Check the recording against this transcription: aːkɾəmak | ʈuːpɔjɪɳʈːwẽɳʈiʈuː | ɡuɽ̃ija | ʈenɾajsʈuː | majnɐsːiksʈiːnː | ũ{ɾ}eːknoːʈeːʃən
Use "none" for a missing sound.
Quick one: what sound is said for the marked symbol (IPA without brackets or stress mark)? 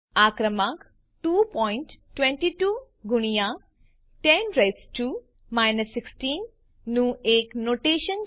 none